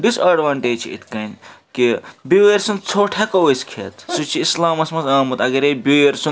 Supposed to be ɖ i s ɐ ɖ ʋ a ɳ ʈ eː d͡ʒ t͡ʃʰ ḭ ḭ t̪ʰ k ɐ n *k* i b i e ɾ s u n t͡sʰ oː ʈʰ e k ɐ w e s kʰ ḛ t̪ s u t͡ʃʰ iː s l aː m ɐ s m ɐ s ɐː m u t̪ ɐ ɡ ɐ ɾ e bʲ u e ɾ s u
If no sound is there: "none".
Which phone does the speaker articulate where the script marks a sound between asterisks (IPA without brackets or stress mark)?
k